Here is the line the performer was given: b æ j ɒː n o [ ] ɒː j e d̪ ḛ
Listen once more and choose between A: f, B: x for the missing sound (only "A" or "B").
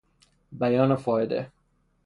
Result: A